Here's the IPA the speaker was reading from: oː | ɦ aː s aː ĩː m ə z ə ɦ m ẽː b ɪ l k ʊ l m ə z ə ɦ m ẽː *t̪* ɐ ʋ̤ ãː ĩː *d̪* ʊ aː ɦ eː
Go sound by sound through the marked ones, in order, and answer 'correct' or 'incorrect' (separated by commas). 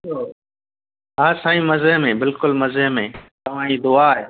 correct, correct